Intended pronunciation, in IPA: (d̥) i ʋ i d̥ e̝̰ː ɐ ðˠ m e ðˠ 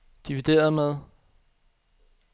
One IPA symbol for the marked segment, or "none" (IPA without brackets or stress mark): d̥